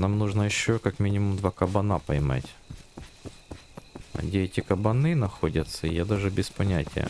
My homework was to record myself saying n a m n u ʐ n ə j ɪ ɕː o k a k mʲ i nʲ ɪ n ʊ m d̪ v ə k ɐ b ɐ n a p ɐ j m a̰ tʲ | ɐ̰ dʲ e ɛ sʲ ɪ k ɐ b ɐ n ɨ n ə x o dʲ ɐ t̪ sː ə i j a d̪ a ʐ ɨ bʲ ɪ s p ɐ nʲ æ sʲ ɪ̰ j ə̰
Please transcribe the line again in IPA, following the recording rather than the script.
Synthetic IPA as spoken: n a m n u ʐ n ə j ɪ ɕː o k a k mʲ i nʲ ɪ m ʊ m d̪ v a k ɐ b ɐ n a p ɐ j m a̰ tʲ | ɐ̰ dʲ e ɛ tʲ ɪ k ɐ b ɐ n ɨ n ɐ x o dʲ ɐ t̪ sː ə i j a d̪ a ʐ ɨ bʲ ɪ s p ɐ nʲ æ tʲ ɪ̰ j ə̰